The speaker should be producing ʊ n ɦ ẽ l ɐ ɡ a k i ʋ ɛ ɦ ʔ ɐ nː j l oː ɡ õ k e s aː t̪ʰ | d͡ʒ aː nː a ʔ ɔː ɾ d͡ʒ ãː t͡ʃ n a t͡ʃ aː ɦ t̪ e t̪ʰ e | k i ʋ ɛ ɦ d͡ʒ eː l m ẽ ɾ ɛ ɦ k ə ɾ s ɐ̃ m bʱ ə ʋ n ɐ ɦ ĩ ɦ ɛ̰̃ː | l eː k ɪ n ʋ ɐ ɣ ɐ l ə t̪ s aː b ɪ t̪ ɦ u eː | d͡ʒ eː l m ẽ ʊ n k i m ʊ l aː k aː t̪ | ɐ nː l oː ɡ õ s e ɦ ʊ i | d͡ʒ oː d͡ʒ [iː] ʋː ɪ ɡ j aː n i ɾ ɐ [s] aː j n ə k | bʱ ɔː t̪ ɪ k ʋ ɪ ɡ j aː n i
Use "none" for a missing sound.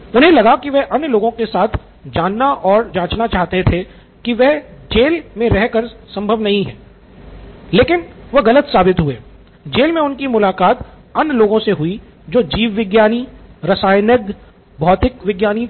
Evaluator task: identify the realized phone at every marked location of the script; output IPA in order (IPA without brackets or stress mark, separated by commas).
iː, s